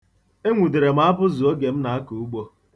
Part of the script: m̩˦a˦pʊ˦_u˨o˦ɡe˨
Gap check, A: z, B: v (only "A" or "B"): A